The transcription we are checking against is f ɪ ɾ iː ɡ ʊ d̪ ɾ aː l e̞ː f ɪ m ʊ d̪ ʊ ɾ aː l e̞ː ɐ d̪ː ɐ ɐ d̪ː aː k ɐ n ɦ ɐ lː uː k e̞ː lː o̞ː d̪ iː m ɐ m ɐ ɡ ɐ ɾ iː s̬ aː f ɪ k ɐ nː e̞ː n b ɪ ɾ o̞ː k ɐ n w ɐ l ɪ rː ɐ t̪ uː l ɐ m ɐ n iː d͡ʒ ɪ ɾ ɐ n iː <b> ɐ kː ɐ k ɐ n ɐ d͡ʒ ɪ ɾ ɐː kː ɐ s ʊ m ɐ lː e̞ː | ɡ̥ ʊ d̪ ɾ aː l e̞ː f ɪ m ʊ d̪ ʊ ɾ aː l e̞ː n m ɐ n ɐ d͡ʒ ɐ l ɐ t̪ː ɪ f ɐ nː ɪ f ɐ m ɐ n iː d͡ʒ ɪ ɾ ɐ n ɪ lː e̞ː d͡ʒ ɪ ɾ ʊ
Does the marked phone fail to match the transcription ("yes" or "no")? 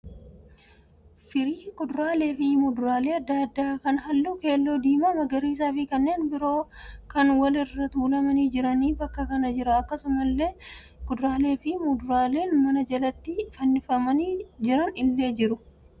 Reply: no